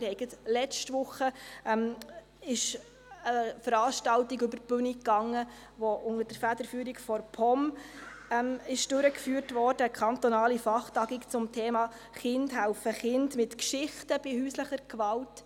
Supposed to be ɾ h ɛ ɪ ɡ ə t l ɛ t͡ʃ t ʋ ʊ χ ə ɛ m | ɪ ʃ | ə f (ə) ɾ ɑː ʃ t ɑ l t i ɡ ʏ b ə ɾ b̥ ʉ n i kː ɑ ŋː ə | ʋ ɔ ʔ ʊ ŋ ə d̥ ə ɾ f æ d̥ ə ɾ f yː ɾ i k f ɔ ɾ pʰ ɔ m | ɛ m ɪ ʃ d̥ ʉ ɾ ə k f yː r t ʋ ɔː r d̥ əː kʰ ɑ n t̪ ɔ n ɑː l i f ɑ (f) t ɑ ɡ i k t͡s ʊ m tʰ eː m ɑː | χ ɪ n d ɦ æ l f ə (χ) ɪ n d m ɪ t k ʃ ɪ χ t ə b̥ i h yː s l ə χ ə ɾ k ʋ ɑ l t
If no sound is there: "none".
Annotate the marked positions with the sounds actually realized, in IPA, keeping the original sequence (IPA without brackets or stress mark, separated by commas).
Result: ə, χ, χ